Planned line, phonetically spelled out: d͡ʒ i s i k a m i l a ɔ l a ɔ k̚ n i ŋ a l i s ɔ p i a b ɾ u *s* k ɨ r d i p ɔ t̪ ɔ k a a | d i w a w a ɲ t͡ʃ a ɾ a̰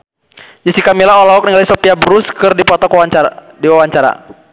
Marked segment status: correct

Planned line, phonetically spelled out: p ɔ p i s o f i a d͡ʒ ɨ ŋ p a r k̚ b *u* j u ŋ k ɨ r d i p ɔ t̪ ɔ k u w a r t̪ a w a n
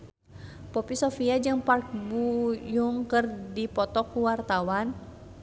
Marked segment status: correct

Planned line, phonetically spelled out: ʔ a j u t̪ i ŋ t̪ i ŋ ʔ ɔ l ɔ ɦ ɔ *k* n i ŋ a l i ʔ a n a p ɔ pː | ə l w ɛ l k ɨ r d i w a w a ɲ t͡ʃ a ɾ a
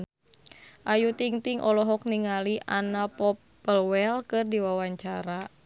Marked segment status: correct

